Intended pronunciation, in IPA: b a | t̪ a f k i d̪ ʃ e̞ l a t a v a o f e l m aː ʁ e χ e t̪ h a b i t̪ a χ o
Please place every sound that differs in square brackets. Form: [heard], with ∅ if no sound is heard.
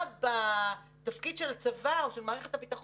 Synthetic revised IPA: b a | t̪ a f k i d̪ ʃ e̞ l a [t͡s] a v a o [ʃ] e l m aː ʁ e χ e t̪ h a b i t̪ a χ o